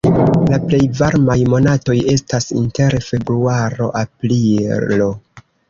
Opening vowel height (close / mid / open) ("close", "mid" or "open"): open